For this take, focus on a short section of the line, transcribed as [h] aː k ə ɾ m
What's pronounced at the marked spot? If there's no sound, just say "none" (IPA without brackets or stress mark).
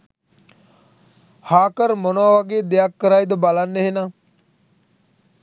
h